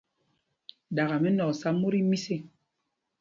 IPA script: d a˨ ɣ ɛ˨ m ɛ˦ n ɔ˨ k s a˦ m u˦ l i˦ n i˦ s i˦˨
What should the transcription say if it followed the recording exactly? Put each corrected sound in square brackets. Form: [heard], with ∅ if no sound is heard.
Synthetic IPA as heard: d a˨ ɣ [a˨] m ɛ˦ n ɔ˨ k s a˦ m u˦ [ɾ] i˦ [m] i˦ s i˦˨